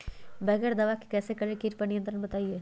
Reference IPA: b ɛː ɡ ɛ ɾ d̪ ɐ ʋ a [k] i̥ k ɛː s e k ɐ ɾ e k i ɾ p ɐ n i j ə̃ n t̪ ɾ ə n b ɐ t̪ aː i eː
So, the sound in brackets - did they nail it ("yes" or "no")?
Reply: yes